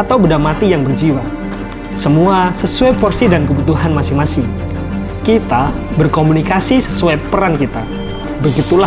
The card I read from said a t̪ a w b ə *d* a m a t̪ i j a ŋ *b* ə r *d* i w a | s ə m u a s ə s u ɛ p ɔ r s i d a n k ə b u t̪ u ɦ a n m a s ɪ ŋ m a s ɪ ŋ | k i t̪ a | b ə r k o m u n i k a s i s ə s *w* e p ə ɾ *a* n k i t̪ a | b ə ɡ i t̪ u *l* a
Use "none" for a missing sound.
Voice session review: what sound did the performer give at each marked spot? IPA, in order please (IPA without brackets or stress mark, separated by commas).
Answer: d, b, d͡ʒ, u, a, l